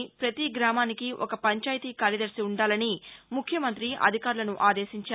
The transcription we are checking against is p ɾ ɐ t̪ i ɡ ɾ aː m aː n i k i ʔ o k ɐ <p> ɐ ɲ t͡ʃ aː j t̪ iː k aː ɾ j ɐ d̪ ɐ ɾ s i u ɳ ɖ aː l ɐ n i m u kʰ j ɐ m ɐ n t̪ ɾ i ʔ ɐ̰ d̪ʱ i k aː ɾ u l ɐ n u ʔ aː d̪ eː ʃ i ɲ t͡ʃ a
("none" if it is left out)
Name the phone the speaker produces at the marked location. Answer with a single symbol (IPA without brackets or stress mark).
p